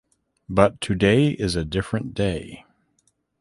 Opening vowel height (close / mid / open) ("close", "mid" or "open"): mid